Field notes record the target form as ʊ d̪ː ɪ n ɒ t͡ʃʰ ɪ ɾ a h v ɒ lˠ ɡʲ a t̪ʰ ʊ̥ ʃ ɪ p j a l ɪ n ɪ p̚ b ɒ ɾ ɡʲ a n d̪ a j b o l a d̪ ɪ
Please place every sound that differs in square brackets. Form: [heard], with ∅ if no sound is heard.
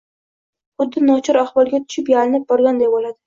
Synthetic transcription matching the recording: ʊ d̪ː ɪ n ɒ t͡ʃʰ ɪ ɾ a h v ɒ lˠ ɡʲ a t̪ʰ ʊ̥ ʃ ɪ p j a l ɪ n ɪ p̚ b ɒ ɾ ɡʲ a n d̪ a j b o l a d̪ ɪ